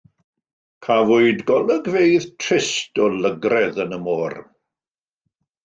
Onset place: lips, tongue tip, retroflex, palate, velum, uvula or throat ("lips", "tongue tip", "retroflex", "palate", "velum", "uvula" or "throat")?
velum